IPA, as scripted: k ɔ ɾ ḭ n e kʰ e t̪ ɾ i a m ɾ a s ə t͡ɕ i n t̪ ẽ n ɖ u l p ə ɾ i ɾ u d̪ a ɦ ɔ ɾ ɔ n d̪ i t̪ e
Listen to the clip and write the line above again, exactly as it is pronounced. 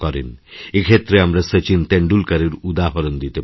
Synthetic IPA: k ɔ ɾ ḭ n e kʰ e t̪ ɾ e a m ɾ a s ə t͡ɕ i n t̪ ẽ ɳ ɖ u l k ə ɾ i ɾ u d̪ a ɦ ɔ ɾ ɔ n d̪ i t̪ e